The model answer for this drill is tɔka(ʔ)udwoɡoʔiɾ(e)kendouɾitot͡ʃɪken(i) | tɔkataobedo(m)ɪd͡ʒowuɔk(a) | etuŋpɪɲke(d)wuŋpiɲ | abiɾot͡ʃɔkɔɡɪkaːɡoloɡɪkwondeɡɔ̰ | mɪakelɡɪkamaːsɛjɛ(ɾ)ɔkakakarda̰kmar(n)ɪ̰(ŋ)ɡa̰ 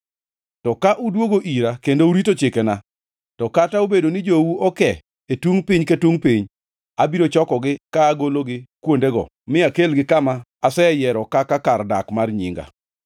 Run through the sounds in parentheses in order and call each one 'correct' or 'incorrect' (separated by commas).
correct, incorrect, incorrect, incorrect, incorrect, incorrect, correct, incorrect, correct